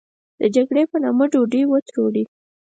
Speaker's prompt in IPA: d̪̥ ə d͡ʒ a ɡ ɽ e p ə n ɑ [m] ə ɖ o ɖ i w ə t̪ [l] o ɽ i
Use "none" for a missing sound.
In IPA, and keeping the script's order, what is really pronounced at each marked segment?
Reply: m, ɾ

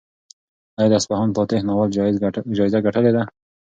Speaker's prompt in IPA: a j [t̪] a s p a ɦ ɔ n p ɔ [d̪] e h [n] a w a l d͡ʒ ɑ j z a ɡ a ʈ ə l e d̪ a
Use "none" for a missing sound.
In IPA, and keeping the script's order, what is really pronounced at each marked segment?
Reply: d̪, t̪, n

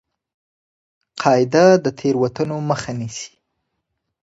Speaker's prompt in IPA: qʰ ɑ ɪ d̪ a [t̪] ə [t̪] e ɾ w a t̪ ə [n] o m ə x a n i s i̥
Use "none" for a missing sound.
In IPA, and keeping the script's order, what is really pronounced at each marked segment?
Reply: d̪, t̪ʰ, n

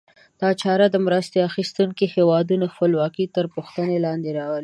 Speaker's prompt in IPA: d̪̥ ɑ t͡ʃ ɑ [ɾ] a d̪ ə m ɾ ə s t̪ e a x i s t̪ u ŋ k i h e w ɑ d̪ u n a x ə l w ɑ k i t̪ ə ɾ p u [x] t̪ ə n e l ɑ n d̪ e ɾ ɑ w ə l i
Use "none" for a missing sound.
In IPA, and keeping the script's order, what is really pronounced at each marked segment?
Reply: ɾ, x

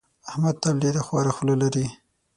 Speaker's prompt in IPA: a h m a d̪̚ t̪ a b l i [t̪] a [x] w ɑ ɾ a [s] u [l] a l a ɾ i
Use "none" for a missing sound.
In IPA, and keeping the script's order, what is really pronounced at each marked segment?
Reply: d̪, x, x, l

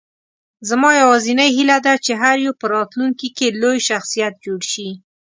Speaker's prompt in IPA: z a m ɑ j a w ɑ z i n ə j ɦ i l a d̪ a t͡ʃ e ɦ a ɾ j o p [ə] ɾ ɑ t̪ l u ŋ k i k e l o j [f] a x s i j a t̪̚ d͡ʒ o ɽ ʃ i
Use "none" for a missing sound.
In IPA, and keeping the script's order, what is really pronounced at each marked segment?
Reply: ə, ʃ

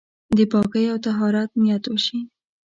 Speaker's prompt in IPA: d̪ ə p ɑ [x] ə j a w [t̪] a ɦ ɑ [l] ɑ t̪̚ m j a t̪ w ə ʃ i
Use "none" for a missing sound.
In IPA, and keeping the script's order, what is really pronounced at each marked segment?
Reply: k, t̪, ɾ

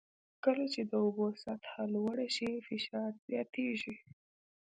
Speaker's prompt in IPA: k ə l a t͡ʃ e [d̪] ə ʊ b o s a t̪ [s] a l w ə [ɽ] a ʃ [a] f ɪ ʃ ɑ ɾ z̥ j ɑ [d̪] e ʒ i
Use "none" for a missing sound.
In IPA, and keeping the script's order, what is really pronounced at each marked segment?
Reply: d̪, h, ɽ, i, t̪

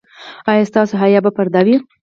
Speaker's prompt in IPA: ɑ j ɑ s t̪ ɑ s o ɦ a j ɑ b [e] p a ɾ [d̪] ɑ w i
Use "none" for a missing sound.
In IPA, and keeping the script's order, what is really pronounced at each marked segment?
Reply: a, d̪

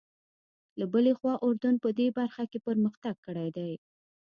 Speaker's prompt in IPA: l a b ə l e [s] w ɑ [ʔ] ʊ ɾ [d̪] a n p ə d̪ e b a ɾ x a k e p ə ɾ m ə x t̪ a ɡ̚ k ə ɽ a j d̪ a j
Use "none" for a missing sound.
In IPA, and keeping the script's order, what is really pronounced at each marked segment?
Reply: x, ʔ, d̪

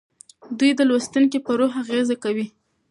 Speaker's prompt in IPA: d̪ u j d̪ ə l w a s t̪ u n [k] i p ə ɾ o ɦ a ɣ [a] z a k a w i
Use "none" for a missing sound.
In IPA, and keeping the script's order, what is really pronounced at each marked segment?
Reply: k, e

